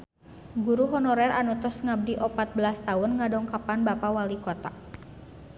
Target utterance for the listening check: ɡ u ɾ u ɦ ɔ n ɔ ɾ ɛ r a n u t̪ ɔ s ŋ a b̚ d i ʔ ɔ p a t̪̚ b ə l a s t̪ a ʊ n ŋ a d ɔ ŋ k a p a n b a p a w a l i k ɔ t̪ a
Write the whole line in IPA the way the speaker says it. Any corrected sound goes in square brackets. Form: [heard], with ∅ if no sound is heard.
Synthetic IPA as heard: ɡ u ɾ u ɦ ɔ n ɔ ɾ ɛ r a n u t̪ ɔ s ŋ a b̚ d i ʔ ɔ p a t̪̚ b ə l a s t̪ a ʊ n ŋ a d ɔ ŋ k a p a n b a p a w a l i k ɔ t̪ a